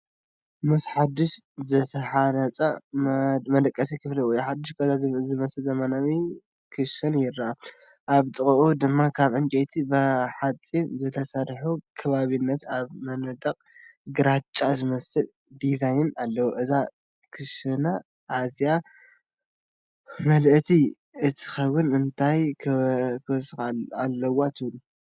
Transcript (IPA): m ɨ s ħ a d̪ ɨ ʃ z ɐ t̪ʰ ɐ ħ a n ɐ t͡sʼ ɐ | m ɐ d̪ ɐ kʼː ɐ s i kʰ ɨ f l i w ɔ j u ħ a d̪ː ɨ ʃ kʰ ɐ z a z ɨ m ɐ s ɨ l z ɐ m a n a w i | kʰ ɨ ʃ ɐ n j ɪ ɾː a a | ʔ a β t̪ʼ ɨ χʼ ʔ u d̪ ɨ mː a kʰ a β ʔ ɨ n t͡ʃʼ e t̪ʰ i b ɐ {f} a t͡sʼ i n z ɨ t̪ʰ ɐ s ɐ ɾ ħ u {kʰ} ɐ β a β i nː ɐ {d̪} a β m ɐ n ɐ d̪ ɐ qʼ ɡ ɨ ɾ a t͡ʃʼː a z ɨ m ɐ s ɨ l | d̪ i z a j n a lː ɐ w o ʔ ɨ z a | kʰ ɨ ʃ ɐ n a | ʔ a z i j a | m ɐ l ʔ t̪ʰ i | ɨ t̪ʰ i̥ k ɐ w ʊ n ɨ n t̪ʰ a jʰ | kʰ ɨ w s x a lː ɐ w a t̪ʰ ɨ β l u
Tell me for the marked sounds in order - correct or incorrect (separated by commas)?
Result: incorrect, correct, incorrect